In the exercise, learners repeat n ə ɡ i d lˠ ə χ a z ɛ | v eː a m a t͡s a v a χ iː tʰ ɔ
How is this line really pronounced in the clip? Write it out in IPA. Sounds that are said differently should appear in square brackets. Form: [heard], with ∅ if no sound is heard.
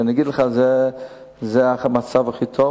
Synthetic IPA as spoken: n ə ɡ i d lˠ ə χ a z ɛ | [z] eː a m a t͡s a v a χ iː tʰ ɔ